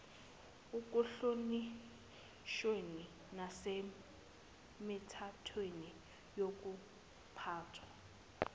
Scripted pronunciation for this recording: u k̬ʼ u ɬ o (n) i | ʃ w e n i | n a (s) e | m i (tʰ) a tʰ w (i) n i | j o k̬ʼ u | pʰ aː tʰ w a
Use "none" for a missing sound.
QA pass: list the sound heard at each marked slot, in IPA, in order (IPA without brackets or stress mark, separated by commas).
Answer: n, s, tʰ, e